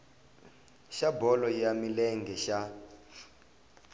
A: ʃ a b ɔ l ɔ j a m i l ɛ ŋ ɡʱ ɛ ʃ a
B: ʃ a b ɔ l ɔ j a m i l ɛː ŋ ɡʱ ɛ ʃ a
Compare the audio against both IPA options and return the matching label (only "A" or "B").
A